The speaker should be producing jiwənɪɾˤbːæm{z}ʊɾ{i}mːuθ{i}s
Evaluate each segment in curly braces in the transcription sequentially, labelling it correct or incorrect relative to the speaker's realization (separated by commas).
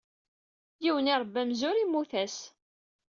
correct, correct, incorrect